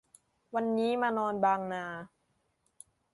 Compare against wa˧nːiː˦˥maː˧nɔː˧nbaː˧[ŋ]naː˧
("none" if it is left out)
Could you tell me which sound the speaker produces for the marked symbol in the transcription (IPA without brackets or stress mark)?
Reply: ŋ